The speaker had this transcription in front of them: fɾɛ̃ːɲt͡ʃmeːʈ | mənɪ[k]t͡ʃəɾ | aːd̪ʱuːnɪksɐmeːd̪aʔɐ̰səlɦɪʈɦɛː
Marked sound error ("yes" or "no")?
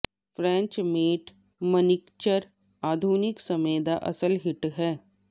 no